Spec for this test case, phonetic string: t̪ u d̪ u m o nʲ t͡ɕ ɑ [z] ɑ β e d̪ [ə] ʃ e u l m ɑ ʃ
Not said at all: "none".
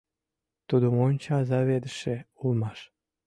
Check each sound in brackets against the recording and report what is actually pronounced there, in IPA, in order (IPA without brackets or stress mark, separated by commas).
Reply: z, ə